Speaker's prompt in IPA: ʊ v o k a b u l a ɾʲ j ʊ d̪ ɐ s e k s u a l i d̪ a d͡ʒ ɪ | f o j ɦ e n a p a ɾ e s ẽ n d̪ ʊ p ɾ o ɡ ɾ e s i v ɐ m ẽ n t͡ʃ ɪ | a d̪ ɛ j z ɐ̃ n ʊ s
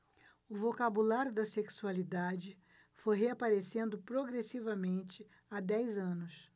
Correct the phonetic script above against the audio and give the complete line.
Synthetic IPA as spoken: ʊ v o k a b u l a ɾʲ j ʊ d̪ ɐ s e k s u a l i d̪ a d͡ʒ ɪ | f o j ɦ e a p a ɾ e s ẽ n d̪ ʊ p ɾ o ɡ ɾ e s i v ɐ m ẽ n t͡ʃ ɪ | a d̪ ɛ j z ɐ̃ n ʊ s